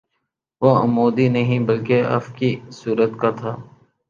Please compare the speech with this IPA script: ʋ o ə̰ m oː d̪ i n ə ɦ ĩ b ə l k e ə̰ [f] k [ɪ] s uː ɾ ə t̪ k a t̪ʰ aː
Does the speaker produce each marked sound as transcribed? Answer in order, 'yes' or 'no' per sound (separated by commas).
yes, no